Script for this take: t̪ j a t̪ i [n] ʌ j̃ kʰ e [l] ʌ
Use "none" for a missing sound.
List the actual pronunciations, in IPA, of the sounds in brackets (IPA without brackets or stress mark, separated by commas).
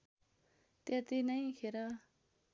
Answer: n, ɾ